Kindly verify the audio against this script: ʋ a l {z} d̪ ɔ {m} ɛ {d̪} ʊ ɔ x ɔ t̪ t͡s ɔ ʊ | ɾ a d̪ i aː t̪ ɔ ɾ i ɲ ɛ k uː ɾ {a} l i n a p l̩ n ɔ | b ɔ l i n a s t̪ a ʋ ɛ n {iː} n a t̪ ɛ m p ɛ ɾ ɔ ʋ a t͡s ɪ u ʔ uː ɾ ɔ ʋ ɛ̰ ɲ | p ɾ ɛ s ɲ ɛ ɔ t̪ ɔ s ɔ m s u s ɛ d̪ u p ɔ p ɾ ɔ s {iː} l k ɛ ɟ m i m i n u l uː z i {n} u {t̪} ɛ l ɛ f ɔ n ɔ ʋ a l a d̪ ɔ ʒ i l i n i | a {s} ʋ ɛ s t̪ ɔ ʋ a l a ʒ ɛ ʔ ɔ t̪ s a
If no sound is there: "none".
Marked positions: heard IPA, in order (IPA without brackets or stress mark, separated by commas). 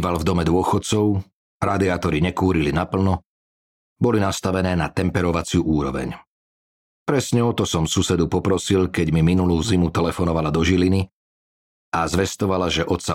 v, m, d̪, i, ɛː, i, m, t̪, z